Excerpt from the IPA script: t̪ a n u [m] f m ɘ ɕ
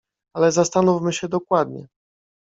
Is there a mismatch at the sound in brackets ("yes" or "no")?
yes